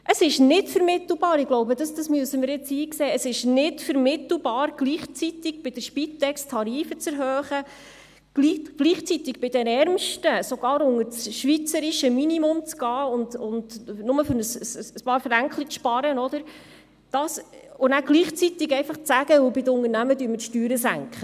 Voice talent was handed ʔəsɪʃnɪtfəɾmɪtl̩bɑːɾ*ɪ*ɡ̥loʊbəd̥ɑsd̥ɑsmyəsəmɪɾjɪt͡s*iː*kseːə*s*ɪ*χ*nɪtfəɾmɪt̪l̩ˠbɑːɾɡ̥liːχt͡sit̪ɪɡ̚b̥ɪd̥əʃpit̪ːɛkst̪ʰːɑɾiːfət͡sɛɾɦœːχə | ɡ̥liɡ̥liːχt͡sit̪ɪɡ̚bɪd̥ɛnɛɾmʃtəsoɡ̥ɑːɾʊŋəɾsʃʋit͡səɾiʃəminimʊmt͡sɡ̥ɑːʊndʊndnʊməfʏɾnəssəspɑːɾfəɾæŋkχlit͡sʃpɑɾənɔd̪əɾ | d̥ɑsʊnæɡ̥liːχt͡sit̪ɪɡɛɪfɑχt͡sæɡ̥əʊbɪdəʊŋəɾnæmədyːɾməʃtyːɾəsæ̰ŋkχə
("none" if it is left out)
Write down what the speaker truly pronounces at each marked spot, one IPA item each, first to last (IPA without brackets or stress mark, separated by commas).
ɪ, iː, s, ʃ